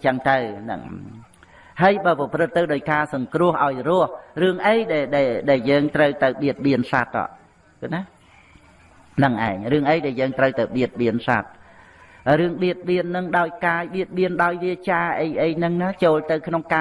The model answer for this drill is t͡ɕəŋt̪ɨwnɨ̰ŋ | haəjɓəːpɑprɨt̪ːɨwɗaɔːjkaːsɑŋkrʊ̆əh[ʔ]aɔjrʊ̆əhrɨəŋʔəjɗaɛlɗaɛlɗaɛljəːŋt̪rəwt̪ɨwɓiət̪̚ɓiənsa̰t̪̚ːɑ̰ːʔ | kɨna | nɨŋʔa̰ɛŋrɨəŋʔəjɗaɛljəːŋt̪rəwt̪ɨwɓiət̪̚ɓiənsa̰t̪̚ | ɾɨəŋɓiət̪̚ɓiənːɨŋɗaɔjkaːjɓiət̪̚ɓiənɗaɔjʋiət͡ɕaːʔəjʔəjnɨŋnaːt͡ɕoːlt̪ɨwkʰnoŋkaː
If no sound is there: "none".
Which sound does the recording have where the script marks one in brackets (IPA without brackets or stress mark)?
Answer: ʔ